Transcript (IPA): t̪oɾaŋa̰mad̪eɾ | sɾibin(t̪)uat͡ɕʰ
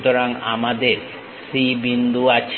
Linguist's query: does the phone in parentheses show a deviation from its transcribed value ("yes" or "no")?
yes